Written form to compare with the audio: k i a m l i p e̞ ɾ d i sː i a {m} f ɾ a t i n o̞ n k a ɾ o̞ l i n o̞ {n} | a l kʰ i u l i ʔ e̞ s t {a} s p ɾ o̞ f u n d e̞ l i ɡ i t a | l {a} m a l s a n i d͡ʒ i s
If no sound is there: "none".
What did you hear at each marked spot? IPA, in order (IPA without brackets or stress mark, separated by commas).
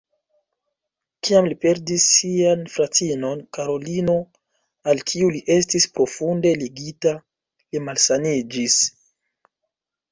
n, none, i, i